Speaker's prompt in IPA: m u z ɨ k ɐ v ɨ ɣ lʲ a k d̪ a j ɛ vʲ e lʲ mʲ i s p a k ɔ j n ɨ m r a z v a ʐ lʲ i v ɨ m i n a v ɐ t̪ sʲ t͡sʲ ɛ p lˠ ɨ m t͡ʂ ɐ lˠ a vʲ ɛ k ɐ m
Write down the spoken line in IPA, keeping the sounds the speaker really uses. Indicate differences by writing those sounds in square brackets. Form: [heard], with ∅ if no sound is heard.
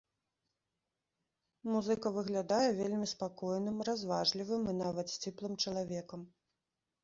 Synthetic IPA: m u z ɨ k ɐ v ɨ ɣ lʲ a [∅] d̪ a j ɛ vʲ e lʲ mʲ i s p a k ɔ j n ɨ m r a z v a ʐ lʲ i v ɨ m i n a v ɐ t̪ sʲ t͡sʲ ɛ p lˠ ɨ m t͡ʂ ɐ lˠ a vʲ ɛ k ɐ m